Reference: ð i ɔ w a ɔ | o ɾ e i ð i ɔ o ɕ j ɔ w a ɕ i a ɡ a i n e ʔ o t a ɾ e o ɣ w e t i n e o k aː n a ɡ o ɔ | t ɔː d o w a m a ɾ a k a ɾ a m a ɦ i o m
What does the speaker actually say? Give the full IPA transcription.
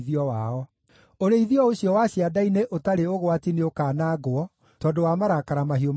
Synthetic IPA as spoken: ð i ɔ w a ɔ | o ɾ e i ð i ɔ o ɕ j ɔ w a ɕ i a d a i n e ʔ o t a ɾ e o ɣ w a t i n e o k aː n a ɡ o ɔ | t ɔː d o w a m a ɾ a k a ɾ a m a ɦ i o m